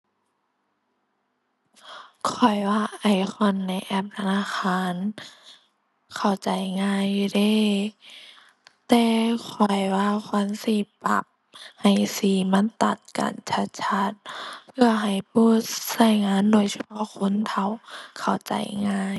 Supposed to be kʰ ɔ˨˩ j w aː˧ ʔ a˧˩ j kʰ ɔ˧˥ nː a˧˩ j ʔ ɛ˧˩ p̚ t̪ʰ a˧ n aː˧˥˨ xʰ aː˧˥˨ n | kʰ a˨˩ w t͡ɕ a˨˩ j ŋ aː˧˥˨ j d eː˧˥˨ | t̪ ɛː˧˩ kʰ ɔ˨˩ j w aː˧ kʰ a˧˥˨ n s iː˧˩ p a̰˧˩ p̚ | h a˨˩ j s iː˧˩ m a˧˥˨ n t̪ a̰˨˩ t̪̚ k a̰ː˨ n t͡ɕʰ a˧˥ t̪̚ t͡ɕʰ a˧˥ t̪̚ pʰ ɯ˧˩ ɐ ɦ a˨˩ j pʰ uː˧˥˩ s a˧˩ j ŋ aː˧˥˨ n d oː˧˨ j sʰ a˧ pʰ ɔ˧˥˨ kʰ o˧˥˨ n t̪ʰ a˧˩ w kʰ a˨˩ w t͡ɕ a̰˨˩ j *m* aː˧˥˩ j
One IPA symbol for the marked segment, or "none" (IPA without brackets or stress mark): ŋ